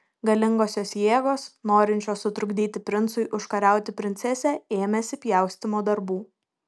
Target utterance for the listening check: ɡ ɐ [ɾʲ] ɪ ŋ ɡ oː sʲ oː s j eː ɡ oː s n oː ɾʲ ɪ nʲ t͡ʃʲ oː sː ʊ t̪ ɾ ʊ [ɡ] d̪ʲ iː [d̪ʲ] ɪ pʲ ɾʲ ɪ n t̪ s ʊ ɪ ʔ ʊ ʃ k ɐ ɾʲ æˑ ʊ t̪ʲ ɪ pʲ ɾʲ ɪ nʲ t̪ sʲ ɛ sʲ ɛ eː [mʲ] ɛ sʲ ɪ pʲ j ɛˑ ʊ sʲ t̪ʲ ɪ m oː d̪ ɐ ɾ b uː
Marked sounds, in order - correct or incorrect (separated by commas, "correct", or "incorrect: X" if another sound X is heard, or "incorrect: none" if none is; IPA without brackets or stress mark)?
incorrect: lʲ, correct, incorrect: t̪ʲ, correct